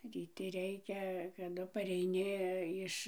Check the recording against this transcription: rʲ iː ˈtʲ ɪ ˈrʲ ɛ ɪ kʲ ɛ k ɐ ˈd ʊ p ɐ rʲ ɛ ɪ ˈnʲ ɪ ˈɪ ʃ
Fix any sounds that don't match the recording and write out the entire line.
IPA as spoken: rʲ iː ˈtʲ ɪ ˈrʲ ɛ ɪ kʲ ɛ k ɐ ˈd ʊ p ɐ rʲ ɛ ɪ ˈnʲ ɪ ˈɪ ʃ